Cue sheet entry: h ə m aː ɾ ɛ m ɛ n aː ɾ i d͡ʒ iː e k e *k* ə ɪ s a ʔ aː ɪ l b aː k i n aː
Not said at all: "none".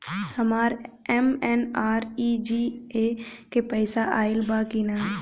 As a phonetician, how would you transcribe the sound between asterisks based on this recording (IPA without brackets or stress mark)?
p